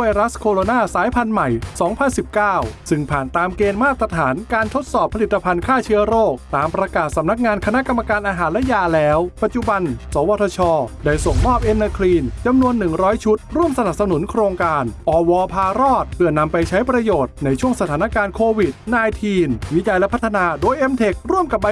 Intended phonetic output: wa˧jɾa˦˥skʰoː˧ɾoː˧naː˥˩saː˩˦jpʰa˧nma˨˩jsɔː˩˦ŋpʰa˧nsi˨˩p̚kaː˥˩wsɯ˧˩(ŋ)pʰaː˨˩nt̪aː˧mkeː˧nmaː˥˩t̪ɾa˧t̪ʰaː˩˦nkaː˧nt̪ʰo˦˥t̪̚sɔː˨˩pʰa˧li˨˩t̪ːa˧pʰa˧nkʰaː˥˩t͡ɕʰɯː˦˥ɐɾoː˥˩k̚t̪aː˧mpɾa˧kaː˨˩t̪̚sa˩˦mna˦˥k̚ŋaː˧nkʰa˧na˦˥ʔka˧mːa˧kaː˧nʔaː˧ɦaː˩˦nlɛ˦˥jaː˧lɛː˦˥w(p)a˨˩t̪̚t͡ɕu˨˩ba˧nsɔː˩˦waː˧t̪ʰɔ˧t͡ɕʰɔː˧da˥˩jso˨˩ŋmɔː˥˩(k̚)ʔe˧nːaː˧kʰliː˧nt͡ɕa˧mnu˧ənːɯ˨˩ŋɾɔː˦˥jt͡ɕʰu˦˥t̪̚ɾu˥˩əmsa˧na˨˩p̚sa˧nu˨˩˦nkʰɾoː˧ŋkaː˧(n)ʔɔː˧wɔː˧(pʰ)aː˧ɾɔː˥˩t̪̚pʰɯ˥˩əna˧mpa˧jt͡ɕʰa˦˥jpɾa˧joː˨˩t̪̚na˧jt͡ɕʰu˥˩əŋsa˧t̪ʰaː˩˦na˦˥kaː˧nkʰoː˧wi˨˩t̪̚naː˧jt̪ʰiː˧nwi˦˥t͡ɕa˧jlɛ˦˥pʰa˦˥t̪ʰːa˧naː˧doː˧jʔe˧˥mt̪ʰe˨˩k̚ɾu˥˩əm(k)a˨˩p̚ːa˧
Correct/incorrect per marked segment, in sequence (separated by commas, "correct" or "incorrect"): correct, correct, incorrect, correct, correct, correct